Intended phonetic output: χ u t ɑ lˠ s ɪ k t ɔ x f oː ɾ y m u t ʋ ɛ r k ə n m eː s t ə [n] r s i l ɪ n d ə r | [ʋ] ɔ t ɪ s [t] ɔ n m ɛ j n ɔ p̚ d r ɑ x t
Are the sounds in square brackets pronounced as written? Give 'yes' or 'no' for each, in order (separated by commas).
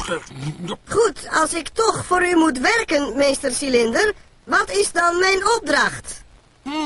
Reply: no, yes, no